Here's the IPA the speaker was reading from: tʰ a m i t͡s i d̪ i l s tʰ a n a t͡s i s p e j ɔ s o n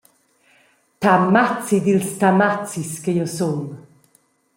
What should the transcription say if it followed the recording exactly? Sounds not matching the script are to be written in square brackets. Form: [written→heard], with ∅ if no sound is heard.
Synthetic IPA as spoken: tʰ a m [i→a] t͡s i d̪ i l s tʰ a [n→m] a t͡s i s [p→k] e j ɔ s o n